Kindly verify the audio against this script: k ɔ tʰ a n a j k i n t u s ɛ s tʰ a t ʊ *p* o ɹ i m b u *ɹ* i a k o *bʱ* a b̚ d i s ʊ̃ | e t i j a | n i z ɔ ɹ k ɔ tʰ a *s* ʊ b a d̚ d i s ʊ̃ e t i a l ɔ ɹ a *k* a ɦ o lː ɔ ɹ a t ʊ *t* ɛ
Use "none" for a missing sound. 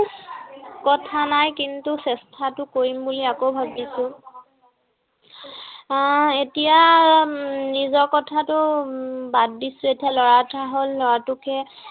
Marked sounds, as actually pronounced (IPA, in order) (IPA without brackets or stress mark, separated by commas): k, l, bʱ, t, t, k